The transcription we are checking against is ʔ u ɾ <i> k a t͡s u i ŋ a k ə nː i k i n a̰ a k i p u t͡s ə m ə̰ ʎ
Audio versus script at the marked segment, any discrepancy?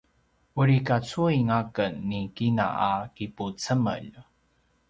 no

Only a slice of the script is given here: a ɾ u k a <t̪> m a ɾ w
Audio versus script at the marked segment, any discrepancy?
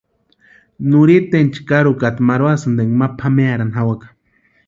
no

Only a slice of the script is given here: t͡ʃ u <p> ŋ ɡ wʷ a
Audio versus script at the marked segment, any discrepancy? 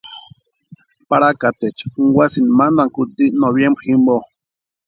yes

